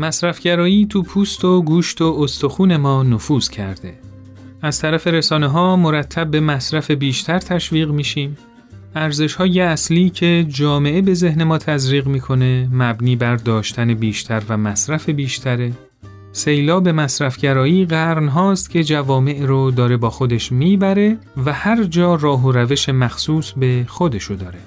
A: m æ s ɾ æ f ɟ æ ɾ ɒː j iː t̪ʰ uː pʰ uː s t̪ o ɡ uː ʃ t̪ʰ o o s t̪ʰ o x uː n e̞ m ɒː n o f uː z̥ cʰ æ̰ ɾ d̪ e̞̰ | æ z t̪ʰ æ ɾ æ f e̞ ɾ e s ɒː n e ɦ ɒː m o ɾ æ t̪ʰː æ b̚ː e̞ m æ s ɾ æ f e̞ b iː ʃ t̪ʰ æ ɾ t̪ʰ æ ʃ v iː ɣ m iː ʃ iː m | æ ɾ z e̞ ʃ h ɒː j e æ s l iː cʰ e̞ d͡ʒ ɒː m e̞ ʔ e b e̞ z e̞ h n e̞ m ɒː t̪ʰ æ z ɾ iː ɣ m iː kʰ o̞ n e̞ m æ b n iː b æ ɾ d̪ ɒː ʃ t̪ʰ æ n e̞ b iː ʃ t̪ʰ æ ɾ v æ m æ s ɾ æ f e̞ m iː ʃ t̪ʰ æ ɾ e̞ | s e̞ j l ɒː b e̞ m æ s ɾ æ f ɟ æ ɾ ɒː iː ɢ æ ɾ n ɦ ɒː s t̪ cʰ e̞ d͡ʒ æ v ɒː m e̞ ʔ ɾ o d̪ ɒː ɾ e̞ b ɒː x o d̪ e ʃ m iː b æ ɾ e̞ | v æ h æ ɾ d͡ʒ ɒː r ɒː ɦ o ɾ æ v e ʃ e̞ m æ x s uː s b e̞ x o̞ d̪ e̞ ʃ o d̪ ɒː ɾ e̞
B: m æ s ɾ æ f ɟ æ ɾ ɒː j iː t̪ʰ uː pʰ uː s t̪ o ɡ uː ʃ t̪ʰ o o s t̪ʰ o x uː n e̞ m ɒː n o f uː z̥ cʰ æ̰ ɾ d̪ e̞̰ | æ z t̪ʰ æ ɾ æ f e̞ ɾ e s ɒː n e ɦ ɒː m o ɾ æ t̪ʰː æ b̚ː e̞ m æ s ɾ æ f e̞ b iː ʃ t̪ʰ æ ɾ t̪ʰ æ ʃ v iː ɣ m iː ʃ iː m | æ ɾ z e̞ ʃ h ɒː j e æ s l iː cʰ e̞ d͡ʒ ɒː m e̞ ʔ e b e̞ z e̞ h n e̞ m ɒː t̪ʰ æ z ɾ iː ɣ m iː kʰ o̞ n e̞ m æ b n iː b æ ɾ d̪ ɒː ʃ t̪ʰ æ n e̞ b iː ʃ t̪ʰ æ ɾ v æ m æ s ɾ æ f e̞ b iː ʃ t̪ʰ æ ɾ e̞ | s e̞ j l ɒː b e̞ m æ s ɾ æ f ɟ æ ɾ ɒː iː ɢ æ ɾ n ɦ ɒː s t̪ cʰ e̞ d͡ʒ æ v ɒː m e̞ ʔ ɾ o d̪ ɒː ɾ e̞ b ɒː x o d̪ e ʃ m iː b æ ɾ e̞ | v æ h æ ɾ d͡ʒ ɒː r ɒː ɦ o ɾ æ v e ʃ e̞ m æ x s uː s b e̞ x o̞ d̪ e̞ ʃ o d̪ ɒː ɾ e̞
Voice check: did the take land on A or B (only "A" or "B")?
B